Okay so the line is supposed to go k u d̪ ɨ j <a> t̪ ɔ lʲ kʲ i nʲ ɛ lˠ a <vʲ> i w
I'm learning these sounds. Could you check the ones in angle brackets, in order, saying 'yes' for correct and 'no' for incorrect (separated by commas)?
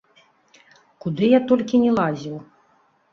yes, no